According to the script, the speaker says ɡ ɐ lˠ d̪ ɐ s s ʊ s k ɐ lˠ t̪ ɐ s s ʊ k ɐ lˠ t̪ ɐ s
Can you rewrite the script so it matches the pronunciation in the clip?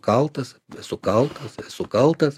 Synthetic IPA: k ɐ lˠ t̪ ɐ s s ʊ k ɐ lˠ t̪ ɐ s s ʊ k ɐ lˠ t̪ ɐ s